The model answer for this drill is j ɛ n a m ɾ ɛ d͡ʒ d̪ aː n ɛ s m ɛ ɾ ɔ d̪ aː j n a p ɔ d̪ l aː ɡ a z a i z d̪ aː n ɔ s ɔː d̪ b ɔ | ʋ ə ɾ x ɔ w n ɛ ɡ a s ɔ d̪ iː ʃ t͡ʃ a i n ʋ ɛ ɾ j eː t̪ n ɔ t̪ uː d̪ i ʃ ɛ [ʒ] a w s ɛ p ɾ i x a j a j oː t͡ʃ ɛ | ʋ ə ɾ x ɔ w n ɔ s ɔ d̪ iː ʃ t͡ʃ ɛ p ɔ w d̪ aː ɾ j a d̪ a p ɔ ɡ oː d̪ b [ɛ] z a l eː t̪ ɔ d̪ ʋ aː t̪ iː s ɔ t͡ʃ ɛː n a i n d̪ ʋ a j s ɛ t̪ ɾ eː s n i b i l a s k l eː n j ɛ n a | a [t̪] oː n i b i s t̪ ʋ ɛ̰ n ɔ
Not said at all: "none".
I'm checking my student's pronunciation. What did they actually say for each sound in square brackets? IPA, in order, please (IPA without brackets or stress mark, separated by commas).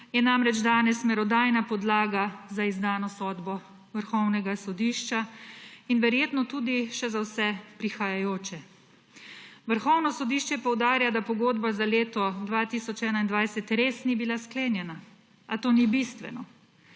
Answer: z, a, t̪